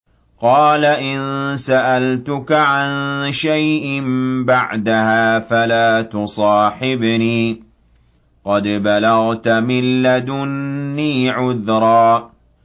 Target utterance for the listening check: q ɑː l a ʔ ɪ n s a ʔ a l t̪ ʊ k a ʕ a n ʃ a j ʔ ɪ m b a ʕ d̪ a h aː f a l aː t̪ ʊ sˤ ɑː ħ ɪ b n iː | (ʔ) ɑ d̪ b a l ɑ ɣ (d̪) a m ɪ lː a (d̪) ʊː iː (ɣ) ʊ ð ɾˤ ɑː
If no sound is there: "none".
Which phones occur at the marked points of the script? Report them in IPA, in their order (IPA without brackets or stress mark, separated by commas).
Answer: q, t̪, d̪, ʕ